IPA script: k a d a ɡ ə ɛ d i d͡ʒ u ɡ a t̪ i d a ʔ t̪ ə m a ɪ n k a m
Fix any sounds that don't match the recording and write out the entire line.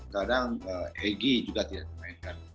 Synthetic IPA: k a d a ŋ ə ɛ ɡ i d͡ʒ u ɡ a t̪ i d a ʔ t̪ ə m a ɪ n k a n